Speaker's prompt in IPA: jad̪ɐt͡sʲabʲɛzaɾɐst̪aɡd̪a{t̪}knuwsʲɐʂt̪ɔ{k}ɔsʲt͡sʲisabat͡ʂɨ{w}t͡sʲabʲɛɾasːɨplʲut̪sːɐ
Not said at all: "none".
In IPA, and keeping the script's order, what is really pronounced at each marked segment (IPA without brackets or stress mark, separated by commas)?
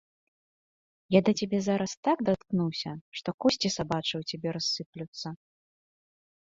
t̪, k, w